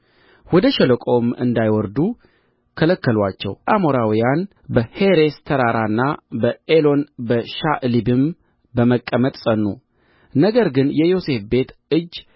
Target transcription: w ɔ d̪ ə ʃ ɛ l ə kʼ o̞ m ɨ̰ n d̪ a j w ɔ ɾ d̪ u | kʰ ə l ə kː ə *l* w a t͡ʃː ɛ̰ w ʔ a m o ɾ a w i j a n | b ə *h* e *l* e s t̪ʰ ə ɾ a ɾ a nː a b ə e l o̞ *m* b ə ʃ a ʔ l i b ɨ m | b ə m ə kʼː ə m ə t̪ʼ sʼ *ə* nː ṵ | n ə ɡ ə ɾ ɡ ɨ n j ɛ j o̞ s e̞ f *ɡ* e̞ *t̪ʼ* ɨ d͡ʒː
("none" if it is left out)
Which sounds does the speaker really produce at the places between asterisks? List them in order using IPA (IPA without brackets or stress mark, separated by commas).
l, h, ɾ, n, ə, b, t̪